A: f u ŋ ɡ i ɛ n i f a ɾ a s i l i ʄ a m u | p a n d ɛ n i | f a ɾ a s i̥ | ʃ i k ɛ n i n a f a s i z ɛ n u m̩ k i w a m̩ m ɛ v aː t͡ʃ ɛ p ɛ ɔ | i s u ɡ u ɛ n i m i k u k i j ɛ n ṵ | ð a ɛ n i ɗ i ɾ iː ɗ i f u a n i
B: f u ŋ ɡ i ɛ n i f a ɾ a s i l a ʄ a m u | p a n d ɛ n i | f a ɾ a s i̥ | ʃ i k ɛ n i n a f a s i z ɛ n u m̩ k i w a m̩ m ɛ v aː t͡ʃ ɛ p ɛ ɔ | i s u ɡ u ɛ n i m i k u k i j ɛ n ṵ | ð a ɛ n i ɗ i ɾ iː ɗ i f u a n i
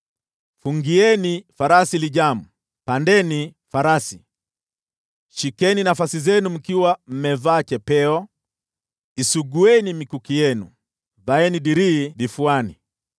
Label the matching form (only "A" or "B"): A